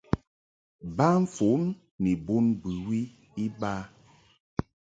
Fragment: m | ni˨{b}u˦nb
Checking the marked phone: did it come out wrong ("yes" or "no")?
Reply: no